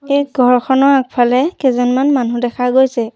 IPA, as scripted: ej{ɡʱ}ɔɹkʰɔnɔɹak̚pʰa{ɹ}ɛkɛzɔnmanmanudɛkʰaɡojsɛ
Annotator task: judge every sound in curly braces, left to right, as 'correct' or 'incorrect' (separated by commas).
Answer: correct, incorrect